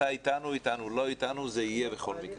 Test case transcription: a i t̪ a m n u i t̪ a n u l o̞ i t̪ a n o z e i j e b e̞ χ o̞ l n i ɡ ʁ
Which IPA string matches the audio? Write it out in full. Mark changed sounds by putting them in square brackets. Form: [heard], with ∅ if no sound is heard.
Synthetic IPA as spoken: a i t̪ a [∅] n u i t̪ a n u l o̞ i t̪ a n [u] z e i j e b e̞ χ o̞ l [m] i [k] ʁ